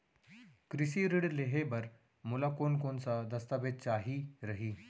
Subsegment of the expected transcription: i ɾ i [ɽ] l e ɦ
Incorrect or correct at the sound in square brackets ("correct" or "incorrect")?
correct